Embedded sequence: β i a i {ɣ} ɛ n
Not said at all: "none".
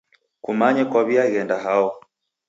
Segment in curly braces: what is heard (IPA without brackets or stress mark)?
ɣ